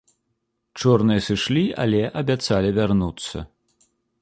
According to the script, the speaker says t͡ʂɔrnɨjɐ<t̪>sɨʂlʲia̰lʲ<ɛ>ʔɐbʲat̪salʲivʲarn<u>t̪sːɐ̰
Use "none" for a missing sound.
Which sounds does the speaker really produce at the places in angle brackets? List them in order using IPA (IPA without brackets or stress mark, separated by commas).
none, ɛ, u